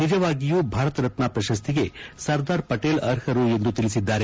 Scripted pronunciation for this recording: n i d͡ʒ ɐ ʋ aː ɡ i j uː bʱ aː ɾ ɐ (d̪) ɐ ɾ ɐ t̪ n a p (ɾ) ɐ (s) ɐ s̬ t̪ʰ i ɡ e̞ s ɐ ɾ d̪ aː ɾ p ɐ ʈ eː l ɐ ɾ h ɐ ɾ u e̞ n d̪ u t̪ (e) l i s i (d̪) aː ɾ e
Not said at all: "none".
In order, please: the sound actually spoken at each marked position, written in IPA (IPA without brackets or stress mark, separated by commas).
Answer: t̪, ɾ, ʃ, i, d̪ː